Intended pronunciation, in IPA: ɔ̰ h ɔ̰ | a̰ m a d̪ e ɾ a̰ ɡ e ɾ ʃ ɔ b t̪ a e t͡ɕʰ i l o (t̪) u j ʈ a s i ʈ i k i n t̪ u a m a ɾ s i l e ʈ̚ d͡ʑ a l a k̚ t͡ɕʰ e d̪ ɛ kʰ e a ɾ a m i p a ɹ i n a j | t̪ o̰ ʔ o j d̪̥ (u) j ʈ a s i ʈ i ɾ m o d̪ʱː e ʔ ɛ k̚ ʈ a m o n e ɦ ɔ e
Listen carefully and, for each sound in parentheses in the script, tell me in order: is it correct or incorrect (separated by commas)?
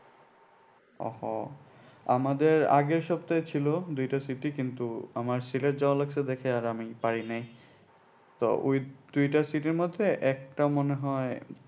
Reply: incorrect, correct